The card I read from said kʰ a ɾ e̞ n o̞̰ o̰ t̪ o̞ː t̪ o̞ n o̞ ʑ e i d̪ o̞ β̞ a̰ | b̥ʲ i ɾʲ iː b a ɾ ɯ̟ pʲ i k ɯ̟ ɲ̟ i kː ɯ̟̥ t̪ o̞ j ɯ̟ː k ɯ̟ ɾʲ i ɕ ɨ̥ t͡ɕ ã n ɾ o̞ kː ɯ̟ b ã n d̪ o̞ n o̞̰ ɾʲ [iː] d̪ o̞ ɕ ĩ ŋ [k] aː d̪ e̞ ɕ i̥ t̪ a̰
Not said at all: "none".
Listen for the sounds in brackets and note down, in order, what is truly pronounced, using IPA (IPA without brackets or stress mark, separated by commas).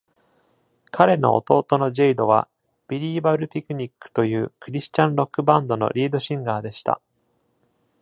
iː, ɡ